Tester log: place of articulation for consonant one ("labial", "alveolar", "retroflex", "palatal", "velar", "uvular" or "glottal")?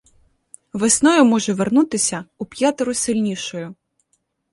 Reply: labial